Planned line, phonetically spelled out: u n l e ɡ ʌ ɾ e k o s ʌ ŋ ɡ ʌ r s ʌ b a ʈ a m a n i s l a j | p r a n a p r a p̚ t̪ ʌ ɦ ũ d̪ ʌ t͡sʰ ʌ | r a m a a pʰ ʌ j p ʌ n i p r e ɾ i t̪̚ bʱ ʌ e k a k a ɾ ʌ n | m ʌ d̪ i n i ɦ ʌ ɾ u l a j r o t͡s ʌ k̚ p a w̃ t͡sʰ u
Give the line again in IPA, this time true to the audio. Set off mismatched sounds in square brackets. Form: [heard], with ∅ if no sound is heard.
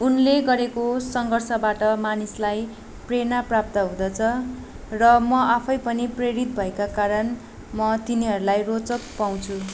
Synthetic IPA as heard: u n l e ɡ ʌ ɾ e k o s ʌ ŋ ɡ ʌ r s ʌ b a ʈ [ʌ] m a n i s l a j | p r [e] n a p r a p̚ t̪ ʌ ɦ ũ d̪ ʌ t͡sʰ ʌ | r [ʌ] m [ʌ] a pʰ ʌ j p ʌ n i p r e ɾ i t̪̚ bʱ ʌ e k a k a ɾ ʌ n | m ʌ [t̪] i n i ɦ ʌ ɾ u l a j r o t͡s ʌ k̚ p a w̃ t͡sʰ u

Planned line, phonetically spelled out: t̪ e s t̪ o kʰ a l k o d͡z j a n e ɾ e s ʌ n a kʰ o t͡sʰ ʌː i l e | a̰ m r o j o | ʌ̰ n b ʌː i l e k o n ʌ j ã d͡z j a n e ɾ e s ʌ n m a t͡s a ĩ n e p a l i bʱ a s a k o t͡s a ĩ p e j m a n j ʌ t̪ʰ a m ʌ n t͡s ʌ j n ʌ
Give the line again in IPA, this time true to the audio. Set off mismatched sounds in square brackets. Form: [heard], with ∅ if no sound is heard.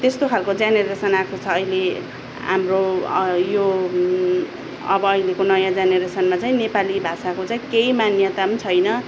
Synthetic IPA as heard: t̪ e s t̪ o kʰ a l k o d͡z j a n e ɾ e s ʌ n a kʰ o t͡sʰ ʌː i l e | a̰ m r o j o | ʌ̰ [∅] b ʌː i l e k o n ʌ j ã d͡z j a n e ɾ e s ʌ n m a t͡s a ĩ n e p a l i bʱ a s a k o t͡s a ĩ [k] e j m a n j ʌ [t̪] a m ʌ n [t͡sʰ] ʌ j n ʌ

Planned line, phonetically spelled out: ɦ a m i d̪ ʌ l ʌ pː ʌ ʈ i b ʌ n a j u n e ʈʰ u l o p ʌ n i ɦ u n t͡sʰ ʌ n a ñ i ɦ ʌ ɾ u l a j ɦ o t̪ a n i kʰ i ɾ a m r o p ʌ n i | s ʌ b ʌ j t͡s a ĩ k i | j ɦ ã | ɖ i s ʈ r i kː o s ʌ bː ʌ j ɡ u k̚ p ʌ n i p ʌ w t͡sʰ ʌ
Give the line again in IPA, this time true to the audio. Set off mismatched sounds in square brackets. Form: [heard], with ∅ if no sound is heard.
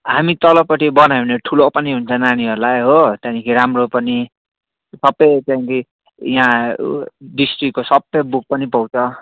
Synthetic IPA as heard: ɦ a m i [t̪] ʌ l ʌ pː ʌ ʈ i b ʌ n a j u n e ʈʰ u l o p ʌ n i ɦ u n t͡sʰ ʌ n a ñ i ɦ ʌ ɾ u l a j ɦ o t̪ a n i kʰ i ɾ a m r o p ʌ n i | s ʌ b ʌ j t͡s a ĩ k i | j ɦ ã | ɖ i s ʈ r i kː o s ʌ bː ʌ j [b] u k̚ p ʌ n i p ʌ w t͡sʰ ʌ

